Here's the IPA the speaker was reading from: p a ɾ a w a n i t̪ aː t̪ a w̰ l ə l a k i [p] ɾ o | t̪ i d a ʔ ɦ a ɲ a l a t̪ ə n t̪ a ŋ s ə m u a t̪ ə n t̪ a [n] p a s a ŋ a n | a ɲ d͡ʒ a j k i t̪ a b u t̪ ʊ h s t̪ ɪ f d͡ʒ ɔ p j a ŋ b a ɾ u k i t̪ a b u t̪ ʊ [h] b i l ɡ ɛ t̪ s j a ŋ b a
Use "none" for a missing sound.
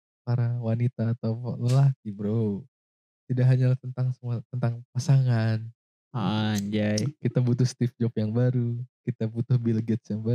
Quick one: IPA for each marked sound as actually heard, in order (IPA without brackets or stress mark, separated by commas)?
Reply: b, ŋ, h